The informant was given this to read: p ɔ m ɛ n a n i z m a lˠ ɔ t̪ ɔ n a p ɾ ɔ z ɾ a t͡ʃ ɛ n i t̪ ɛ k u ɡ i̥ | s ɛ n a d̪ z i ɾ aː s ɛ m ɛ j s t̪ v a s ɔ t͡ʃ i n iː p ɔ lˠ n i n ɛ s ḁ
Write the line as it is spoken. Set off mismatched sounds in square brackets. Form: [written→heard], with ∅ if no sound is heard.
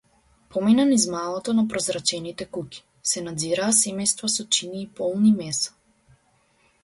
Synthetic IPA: p ɔ m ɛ n a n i z m a lˠ ɔ t̪ ɔ n a p ɾ ɔ z ɾ a t͡ʃ ɛ n i t̪ ɛ k u [ɡ→k] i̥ | s ɛ n a d̪ z i ɾ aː s ɛ m ɛ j s t̪ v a s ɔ t͡ʃ i n iː p ɔ lˠ n i [n→m] ɛ s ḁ